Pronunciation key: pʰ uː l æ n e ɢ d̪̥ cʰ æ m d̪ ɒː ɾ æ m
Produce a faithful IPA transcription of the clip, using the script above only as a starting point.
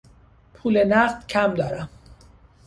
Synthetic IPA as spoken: pʰ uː l e n æ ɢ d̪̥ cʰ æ m d̪ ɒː ɾ æ m